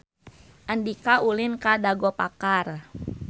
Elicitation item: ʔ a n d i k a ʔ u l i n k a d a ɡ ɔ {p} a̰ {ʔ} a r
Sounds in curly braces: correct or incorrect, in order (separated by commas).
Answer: correct, incorrect